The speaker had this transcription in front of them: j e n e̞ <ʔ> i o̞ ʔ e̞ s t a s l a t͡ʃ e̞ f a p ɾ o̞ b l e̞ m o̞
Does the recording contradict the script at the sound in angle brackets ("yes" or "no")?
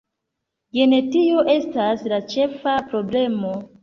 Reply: yes